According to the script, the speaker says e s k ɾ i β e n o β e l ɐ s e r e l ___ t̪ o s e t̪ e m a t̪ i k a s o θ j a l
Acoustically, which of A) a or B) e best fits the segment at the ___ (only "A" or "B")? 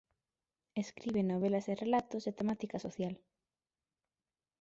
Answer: A